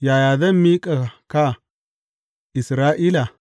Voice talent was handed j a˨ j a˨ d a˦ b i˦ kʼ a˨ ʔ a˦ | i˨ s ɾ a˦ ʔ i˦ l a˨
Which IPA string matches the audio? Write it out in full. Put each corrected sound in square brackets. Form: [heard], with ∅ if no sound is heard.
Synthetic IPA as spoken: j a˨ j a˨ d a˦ [m] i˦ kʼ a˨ [k] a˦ | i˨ s ɾ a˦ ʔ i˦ l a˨

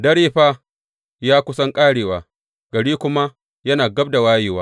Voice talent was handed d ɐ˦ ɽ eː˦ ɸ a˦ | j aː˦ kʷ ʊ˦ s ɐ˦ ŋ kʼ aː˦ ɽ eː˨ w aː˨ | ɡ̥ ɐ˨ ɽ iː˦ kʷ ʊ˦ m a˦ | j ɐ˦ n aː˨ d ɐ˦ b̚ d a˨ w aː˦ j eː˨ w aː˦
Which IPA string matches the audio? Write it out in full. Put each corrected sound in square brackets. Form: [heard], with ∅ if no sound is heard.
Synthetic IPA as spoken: d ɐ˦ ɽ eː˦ ɸ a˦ | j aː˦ kʷ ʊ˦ s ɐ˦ ŋ kʼ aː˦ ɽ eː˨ w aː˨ | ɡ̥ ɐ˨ ɽ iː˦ kʷ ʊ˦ m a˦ | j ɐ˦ n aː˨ [ɡ] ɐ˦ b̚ d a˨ w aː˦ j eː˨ w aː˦

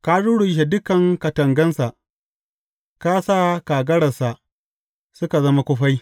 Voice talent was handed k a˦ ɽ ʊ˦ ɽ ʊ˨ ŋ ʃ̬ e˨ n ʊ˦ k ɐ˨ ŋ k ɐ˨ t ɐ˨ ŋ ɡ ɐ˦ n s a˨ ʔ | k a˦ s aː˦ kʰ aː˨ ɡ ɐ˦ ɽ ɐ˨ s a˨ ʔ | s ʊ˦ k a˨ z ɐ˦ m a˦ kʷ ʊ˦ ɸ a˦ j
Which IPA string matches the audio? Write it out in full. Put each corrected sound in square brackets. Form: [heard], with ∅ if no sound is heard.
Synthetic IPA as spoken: k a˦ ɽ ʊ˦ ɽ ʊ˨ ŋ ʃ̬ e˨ [d] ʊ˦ k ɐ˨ ŋ k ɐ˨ t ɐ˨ ŋ ɡ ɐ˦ n s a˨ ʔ | k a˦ s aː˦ [k] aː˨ ɡ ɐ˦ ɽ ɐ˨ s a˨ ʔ | s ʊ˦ k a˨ z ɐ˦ m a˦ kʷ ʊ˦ ɸ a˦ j

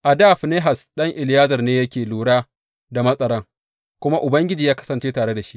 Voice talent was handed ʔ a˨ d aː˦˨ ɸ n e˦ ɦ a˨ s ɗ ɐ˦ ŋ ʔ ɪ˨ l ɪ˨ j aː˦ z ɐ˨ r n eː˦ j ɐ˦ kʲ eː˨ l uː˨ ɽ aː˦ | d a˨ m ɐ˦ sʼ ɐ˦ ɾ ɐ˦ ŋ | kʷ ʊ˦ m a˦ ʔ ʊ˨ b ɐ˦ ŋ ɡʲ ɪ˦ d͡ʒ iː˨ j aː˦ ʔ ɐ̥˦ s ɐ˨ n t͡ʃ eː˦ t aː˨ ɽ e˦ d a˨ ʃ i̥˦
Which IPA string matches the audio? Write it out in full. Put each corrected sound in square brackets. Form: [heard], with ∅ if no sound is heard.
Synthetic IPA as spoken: ʔ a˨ d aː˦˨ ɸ n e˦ ɦ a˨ s ɗ ɐ˦ ŋ ʔ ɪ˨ l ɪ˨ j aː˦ z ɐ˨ r n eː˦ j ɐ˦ kʲ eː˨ l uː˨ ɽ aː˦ | d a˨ m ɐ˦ sʼ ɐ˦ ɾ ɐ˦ ŋ | kʷ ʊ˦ m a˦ ʔ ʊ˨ b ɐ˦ ŋ ɡʲ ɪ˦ d͡ʒ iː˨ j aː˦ [k] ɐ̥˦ s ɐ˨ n t͡ʃ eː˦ t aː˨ ɽ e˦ d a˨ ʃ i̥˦

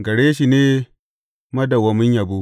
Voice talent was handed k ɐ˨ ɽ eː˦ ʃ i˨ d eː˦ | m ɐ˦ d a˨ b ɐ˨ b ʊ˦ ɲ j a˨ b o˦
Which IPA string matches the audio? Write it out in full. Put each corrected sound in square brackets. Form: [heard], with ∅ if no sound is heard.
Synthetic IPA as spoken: [ɡ] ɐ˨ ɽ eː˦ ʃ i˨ [n] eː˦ | m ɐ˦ d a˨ [w] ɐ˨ [m] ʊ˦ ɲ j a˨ b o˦

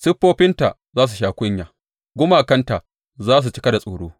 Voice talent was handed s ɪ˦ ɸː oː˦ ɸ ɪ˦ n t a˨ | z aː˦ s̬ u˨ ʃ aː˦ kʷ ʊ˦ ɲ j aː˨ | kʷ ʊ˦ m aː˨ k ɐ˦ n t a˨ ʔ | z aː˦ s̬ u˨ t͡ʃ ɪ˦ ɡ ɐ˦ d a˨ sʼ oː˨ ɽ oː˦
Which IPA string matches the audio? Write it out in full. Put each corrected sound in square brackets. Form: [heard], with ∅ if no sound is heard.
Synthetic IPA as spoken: s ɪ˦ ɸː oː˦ ɸ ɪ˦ n t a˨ | z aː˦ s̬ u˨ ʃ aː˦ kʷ ʊ˦ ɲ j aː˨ | [ɡʷ] ʊ˦ m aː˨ k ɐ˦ n t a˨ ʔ | z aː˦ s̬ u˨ t͡ʃ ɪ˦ [k] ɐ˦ d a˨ sʼ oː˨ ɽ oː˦

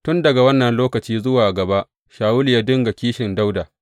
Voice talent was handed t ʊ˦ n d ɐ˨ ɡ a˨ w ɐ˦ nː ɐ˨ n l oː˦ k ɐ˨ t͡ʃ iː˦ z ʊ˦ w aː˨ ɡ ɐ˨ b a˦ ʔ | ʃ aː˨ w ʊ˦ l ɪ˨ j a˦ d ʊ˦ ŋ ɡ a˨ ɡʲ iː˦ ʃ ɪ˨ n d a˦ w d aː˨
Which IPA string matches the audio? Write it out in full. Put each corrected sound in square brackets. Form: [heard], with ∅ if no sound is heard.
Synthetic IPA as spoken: t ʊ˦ n d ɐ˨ ɡ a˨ w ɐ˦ nː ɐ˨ n l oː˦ k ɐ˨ t͡ʃ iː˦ z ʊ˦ w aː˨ ɡ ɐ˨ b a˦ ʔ | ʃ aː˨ w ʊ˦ l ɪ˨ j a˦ d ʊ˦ ŋ ɡ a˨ [kʲ] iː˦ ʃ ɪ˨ n d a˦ w d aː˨

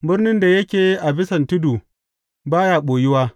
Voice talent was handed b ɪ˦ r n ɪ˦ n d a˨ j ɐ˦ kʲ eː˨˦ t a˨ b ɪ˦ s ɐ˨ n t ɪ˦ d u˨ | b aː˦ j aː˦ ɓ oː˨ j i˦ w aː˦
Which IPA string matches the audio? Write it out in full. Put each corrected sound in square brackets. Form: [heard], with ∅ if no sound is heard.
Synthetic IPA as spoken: b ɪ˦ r n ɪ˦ n d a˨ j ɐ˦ kʲ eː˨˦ [ʔ] a˨ b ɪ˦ s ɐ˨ n t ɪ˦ d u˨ | b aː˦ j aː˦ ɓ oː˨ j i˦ w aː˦

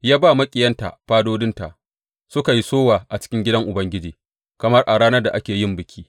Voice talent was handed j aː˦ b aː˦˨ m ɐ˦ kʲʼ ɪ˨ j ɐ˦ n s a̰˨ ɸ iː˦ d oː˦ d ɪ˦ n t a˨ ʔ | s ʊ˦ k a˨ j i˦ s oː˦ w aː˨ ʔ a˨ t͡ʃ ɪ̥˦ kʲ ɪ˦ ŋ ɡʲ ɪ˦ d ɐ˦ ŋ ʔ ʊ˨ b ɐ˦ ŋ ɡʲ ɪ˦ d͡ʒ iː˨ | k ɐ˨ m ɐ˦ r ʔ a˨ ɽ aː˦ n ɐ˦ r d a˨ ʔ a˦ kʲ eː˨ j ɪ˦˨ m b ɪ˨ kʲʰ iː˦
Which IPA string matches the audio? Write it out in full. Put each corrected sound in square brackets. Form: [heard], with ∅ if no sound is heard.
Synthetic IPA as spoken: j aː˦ b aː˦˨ m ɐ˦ kʲʼ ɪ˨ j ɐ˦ n [t] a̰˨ ɸ [aː˦] d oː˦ d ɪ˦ n t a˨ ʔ | s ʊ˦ k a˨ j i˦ s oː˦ w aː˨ ʔ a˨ t͡ʃ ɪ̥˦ kʲ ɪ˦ ŋ ɡʲ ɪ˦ d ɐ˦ ŋ ʔ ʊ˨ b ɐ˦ ŋ ɡʲ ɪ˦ d͡ʒ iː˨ | k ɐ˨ m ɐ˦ r ʔ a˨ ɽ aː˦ n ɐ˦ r d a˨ ʔ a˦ kʲ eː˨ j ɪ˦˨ m b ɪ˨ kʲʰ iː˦

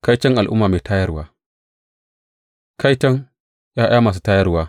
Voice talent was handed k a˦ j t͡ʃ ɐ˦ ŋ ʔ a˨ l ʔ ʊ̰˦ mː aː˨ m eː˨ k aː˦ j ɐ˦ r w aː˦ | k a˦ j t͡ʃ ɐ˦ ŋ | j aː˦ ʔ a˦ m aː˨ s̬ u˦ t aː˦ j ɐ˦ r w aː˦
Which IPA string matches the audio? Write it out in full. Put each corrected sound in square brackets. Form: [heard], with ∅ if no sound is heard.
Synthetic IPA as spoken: k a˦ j t͡ʃ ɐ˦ ŋ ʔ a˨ l ʔ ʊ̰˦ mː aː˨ m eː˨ [t] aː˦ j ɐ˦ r w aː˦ | k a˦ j t͡ʃ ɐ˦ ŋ | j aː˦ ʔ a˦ m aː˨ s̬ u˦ t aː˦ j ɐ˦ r w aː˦

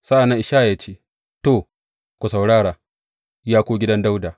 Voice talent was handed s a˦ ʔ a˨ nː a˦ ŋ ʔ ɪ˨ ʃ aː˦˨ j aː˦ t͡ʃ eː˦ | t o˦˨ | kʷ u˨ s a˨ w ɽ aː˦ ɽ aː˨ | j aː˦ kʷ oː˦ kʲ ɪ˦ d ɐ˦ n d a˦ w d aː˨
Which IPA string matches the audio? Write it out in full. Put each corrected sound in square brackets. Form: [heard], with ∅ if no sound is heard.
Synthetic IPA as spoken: s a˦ ʔ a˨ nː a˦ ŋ ʔ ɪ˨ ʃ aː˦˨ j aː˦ t͡ʃ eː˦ | t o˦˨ | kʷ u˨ s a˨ w ɽ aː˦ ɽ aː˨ | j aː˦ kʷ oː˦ [ɡʲ] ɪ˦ d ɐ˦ n d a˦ w d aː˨

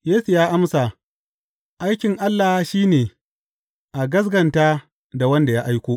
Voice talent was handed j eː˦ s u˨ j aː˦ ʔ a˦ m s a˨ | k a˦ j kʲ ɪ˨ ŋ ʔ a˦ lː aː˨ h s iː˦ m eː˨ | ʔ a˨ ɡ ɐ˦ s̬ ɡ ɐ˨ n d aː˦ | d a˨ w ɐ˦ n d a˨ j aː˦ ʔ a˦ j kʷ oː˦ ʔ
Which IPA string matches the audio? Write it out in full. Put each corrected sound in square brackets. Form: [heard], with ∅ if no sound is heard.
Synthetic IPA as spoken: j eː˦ s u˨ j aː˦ ʔ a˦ m s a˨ | [ʔ] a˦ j kʲ ɪ˨ ŋ ʔ a˦ lː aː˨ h [ʃ] iː˦ [n] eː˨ | ʔ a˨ ɡ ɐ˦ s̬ ɡ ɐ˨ n [t] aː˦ | d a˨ w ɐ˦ n d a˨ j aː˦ ʔ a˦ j kʷ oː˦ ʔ

